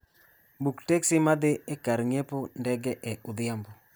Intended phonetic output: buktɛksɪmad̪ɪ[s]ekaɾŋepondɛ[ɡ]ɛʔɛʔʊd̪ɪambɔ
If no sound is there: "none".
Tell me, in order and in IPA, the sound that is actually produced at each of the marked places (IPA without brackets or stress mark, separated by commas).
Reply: none, ɡ